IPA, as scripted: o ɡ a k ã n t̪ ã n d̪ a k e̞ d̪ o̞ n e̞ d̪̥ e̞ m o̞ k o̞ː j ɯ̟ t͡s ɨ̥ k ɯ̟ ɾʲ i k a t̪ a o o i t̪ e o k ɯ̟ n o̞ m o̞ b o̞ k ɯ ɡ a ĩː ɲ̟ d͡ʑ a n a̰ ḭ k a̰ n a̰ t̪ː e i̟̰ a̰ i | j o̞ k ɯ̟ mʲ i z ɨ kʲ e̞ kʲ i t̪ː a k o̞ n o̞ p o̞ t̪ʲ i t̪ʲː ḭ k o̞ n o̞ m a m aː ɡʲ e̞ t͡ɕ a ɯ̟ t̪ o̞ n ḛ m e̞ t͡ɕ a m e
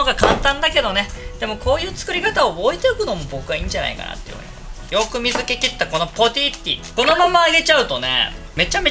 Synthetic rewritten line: o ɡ a k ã n t̪ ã n d̪ a k e̞ d̪ o̞ n e̞ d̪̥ e̞ m o̞ k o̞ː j ɯ̟ː t͡s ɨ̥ k ɯ̟ ɾʲ i k a t̪ a o o i t̪ e o k ɯ̟ n o̞ m o̞ b o̞ k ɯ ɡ a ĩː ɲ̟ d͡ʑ a n a̰ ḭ k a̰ n a̰ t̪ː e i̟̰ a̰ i | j o̞ k ɯ̟ mʲ i z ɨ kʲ e̞ kʲ i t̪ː a k o̞ n o̞ p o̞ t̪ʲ i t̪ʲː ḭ k o̞ n o̞ m a m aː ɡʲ e̞ t͡ɕ a ɯ̟ t̪ o̞ n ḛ m e̞ t͡ɕ a m e